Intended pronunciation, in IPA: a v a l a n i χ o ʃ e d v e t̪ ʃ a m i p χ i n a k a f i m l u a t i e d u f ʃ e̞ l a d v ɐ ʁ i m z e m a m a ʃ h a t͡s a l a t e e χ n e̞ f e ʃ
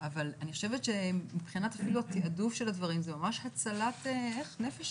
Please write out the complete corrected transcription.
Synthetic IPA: a v a l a n i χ o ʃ e v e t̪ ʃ e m i p χ i n a t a f i l u a t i a d u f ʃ e̞ l a d v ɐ ʁ i m z e m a m a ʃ h a t͡s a l a t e e χ n e̞ f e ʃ